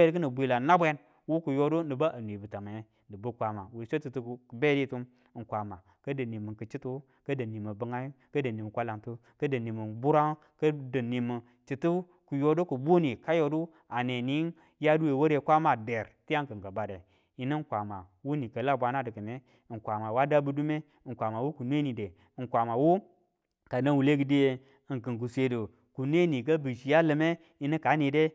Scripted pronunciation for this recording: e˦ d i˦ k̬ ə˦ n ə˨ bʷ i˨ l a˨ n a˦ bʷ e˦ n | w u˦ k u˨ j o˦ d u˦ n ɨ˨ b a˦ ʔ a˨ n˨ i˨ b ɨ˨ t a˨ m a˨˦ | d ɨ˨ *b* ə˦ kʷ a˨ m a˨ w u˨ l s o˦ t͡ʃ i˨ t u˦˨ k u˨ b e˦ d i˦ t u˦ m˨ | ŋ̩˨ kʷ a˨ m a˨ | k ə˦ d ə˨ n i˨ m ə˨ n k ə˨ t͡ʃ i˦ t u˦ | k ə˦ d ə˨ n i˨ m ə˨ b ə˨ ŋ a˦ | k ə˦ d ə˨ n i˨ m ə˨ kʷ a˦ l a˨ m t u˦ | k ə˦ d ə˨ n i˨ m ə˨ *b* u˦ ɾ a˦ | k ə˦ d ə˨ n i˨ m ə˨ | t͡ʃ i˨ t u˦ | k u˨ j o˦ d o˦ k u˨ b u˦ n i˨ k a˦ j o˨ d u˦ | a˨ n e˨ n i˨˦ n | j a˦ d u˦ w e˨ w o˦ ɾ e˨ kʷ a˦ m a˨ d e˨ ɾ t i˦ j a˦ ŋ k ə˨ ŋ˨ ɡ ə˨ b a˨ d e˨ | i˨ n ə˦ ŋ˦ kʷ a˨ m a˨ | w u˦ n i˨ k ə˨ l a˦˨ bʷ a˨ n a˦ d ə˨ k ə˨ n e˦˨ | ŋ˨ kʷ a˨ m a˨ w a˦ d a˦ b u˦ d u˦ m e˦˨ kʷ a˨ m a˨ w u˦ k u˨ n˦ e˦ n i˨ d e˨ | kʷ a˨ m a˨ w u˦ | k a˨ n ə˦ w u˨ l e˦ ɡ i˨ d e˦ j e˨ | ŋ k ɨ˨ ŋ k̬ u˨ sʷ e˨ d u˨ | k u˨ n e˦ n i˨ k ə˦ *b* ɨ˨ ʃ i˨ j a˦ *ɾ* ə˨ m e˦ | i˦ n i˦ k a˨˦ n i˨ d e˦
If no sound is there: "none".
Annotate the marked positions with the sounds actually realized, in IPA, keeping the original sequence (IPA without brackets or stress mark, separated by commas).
b, b, b, l